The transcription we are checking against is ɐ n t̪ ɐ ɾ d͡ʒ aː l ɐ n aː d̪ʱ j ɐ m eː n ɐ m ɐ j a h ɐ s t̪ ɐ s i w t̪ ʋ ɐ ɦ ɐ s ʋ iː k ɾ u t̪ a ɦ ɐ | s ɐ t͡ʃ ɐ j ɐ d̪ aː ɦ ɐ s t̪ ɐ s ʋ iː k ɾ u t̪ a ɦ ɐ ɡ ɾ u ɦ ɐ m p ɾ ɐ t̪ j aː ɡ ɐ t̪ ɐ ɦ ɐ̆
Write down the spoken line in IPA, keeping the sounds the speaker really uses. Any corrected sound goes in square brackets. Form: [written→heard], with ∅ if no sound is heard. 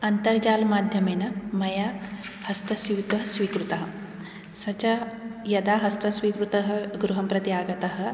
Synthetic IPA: ɐ n t̪ ɐ ɾ d͡ʒ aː l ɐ [n→m] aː d̪ʱ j ɐ m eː n ɐ m ɐ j a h ɐ s t̪ ɐ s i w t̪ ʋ ɐ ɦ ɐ s ʋ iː k ɾ u t̪ [a→ɐ] ɦ ɐ | s ɐ t͡ʃ ɐ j ɐ d̪ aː ɦ ɐ s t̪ ɐ s ʋ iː k ɾ u t̪ [a→ɐ] ɦ ɐ ɡ ɾ u ɦ ɐ m p ɾ ɐ t̪ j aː ɡ ɐ t̪ ɐ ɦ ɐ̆